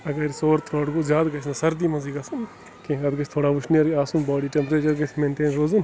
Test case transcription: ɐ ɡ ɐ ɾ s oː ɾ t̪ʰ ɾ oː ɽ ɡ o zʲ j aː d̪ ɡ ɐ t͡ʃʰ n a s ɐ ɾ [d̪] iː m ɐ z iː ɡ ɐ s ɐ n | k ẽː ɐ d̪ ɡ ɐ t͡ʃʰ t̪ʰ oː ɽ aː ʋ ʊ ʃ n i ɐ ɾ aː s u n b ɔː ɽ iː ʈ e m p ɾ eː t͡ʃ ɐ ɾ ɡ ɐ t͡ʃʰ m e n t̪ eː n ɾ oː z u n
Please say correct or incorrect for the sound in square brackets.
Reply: correct